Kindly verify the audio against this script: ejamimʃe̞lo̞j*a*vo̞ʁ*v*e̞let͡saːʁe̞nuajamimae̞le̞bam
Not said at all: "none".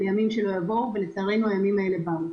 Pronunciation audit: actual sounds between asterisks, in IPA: a, v

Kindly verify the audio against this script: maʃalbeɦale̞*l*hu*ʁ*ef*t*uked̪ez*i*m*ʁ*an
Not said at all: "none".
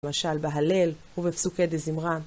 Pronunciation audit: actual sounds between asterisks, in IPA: l, v, s, i, ʁ

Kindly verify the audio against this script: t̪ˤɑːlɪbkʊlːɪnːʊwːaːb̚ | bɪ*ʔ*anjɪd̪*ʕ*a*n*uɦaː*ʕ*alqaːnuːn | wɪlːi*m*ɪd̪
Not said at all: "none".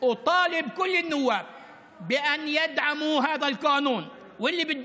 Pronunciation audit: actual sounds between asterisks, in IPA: ʔ, ʕ, m, ð, b

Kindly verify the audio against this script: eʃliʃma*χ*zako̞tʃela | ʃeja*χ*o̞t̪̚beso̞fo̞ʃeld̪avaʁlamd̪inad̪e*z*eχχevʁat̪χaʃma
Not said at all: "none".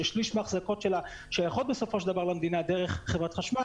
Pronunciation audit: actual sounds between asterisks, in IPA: χ, χ, ʁ

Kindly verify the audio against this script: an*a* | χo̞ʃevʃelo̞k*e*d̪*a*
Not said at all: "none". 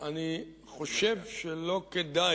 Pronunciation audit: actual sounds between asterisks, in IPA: i, e, a

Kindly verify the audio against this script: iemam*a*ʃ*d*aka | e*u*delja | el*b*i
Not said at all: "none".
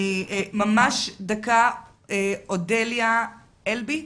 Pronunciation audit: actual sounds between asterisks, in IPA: a, d, o, b

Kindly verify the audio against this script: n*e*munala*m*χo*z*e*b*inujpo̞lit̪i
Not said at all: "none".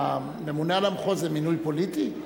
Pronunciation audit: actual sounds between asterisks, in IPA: e, m, z, m

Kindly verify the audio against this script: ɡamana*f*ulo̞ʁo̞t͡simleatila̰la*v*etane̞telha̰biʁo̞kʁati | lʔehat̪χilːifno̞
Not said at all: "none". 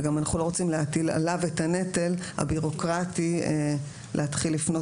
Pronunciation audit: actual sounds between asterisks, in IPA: χ, v

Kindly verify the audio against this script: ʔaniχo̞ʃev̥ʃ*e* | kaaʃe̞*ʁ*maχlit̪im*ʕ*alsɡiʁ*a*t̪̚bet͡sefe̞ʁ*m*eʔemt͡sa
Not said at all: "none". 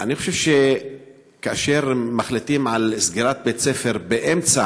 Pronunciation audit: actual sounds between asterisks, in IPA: e, ʁ, ʕ, a, b

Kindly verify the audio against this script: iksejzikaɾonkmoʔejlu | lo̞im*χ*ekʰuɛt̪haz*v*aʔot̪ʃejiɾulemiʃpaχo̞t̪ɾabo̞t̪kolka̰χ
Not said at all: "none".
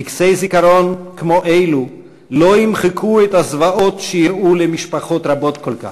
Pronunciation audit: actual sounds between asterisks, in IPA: χ, v

